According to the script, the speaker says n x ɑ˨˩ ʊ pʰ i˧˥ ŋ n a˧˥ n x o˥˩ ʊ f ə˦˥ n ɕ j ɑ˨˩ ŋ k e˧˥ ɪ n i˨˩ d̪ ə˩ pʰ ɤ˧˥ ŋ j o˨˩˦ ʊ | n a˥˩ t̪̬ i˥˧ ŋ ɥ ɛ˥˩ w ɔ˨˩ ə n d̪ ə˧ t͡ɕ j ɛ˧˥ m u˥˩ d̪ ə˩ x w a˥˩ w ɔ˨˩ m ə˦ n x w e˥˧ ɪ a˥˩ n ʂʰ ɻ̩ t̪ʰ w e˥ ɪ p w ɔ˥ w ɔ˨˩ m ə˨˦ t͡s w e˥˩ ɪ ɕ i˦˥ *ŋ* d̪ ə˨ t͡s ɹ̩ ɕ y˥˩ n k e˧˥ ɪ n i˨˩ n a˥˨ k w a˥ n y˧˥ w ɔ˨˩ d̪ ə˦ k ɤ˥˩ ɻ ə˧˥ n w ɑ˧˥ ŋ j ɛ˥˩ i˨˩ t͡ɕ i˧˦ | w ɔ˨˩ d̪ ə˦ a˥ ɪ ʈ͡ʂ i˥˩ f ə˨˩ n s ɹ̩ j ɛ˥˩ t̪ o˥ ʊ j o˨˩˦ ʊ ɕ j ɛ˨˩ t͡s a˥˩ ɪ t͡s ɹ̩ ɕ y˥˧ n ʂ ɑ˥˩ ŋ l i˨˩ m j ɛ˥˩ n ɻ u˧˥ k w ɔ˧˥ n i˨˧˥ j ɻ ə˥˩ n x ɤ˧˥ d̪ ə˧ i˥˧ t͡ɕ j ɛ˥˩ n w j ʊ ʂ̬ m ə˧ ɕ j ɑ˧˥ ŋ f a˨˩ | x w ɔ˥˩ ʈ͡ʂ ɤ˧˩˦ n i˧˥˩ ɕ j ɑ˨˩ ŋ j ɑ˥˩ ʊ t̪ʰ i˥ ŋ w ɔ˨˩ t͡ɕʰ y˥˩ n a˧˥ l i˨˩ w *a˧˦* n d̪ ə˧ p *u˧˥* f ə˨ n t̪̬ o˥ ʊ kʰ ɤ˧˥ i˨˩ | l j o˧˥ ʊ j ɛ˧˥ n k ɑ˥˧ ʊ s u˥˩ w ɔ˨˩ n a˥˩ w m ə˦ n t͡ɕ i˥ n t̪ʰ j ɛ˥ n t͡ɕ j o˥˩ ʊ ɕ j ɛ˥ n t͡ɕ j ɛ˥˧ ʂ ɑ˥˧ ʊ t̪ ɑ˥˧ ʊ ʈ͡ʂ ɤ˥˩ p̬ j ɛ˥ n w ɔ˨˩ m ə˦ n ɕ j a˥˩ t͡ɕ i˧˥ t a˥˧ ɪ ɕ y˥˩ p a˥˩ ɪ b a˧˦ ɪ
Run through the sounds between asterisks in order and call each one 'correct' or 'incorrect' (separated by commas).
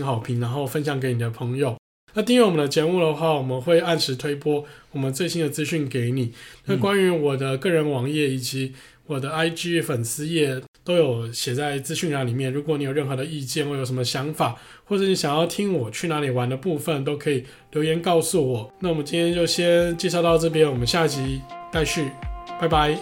incorrect, correct, incorrect